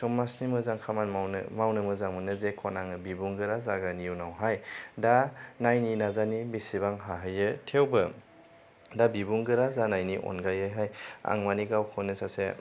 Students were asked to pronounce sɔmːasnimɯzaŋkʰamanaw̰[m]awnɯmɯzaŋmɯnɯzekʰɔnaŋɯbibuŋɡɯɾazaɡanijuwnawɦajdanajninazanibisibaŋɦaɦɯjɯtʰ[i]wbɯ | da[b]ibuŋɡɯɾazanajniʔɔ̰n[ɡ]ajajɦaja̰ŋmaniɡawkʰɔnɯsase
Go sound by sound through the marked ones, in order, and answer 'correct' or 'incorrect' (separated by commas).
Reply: correct, incorrect, correct, correct